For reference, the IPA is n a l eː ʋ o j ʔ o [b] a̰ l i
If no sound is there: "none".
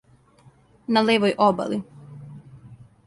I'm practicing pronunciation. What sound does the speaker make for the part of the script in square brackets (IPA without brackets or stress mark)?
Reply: b